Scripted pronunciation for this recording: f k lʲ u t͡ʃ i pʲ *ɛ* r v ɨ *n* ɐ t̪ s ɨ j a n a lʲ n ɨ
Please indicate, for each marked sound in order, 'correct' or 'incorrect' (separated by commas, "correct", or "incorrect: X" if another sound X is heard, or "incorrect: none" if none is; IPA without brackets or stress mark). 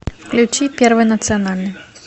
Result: correct, correct